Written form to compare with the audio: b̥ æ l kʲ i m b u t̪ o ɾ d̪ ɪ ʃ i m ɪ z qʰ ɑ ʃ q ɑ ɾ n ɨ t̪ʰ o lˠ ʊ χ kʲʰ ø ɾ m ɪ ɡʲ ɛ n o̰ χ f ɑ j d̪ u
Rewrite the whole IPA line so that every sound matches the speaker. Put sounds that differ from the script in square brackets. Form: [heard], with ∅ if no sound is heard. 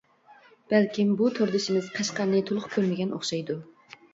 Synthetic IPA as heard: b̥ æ l kʲ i m b u [t̪ʰ] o ɾ d̪ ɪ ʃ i m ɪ z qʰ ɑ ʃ q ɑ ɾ n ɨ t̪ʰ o lˠ ʊ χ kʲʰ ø ɾ m ɪ ɡʲ ɛ n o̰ χ [ʃ] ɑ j d̪ u